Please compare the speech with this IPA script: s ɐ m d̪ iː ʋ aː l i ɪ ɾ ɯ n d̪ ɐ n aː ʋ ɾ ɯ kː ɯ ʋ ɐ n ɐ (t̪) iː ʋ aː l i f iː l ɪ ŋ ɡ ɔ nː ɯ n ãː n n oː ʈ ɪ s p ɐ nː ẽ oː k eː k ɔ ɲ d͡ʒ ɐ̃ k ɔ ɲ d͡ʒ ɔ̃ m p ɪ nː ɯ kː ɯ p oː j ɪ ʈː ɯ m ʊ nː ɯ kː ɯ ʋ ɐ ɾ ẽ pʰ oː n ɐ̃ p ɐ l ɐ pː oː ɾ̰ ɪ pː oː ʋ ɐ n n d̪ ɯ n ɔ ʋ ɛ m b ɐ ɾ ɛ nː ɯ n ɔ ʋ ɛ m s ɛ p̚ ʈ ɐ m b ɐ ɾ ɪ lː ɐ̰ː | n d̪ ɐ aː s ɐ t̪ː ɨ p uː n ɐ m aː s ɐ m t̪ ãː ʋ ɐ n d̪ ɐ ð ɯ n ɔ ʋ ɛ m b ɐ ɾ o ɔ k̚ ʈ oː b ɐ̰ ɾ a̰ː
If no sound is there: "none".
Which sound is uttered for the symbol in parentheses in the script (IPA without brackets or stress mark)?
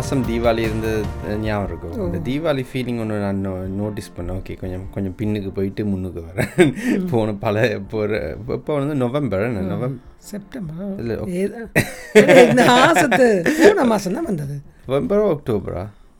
d̪